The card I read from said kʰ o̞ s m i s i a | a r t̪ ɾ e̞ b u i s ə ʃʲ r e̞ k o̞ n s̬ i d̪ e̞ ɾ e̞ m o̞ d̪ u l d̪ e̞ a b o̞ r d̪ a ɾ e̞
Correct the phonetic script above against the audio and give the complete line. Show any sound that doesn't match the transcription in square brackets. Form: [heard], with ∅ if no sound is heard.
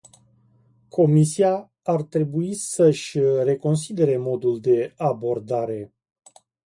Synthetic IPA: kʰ o̞ [∅] m i s i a | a r t̪ ɾ e̞ b u i s ə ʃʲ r e̞ k o̞ n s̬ i d̪ e̞ ɾ e̞ m o̞ d̪ u l d̪ e̞ a b o̞ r d̪ a ɾ e̞